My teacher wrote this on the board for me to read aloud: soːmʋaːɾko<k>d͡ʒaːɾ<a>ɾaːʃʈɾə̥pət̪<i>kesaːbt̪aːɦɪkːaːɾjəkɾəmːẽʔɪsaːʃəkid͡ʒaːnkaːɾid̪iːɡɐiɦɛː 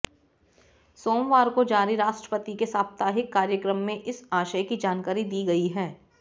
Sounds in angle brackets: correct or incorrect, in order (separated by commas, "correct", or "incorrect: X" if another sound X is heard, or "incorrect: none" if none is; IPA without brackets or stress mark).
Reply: incorrect: none, incorrect: i, correct